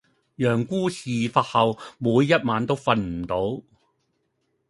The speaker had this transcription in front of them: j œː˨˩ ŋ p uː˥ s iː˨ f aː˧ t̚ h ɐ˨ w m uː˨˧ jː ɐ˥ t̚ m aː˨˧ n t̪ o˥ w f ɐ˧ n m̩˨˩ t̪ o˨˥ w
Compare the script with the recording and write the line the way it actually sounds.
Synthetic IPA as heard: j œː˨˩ ŋ k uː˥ s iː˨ f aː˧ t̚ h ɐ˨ w m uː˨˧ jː ɐ˥ t̚ m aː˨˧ n t̪ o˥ w f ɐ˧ n m̩˨˩ t̪ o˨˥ w